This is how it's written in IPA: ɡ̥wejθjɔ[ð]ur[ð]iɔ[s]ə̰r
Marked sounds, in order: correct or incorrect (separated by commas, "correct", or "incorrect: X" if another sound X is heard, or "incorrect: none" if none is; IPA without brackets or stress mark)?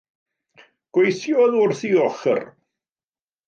correct, incorrect: θ, incorrect: χ